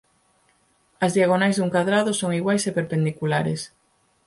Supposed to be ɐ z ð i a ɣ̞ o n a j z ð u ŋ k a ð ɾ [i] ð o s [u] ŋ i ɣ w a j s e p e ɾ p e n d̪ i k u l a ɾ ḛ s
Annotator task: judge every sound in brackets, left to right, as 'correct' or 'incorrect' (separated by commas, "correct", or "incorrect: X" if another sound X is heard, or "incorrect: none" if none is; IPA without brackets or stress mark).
incorrect: a, incorrect: o